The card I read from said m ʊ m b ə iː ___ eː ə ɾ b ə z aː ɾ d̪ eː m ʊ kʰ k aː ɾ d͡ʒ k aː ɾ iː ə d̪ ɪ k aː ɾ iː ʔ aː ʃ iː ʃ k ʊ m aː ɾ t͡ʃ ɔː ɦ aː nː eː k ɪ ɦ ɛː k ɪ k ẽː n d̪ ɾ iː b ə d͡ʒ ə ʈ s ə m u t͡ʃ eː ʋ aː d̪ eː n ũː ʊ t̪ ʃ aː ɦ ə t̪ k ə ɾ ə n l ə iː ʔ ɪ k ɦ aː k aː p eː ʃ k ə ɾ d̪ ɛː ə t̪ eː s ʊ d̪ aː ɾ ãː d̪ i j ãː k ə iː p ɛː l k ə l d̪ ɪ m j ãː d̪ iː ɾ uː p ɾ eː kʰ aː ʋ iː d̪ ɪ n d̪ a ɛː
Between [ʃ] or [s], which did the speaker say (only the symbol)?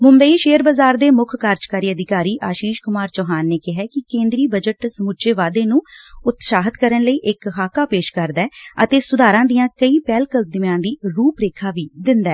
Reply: ʃ